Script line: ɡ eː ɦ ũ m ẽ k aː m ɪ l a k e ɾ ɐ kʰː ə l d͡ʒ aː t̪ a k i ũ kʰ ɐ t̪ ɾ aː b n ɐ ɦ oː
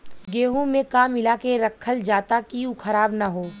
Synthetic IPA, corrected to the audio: ɡ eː ɦ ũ m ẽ k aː m ɪ l a k e ɾ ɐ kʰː ə l d͡ʒ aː t̪ a k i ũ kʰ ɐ ɾ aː b n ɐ ɦ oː